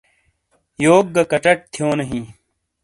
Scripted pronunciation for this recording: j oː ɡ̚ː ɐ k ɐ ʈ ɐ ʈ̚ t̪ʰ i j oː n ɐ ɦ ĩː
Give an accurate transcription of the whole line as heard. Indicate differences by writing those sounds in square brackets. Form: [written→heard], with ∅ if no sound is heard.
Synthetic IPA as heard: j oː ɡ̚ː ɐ k ɐ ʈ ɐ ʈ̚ t̪ʰ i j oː n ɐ ɦ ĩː